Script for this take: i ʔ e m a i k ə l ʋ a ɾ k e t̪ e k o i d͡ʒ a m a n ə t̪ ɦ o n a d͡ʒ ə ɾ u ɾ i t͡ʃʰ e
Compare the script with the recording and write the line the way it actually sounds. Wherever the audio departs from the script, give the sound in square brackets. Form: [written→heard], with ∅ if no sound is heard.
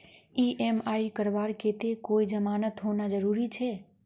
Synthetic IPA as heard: i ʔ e m a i k ə [l→ɾ] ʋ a ɾ k e t̪ e k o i d͡ʒ [a→ə] m a n ə t̪ ɦ o n a d͡ʒ ə ɾ u ɾ i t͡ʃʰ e